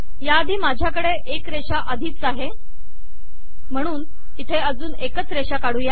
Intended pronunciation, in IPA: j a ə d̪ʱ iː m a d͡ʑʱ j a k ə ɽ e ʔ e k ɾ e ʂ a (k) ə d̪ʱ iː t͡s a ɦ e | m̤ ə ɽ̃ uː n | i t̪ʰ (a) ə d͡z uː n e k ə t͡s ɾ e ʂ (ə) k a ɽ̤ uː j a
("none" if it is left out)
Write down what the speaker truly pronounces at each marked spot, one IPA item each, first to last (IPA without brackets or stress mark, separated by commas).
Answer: ʔ, e, a